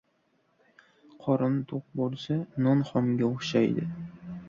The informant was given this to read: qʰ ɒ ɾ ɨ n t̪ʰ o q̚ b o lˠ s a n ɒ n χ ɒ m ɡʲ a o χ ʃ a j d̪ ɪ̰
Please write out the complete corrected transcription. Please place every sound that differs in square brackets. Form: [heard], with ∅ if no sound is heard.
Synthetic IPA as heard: qʰ ɒ ɾ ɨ n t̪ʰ o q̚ b o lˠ s a n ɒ n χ ɒ m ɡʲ a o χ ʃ a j d̪ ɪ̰